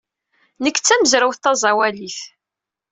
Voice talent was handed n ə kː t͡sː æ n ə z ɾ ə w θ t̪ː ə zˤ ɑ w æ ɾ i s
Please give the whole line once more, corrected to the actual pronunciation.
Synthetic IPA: n ə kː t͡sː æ m ə z ɾ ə w θ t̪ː ɑ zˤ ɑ w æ l i θ